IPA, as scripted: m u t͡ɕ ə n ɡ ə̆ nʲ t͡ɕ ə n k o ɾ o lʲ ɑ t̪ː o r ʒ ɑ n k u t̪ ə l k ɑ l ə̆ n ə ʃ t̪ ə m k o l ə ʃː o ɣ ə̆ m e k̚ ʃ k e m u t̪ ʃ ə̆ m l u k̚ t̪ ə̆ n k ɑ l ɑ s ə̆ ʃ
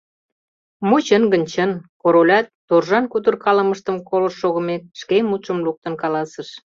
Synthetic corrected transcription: m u t͡ɕ ə n ɡ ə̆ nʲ t͡ɕ ə n k o ɾ o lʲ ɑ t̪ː o r ʒ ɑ n k u t̪ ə r k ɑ l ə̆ m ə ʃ t̪ ə m k o l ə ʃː o ɣ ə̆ m e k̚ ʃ k e m u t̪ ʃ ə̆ m l u k̚ t̪ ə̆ n k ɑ l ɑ s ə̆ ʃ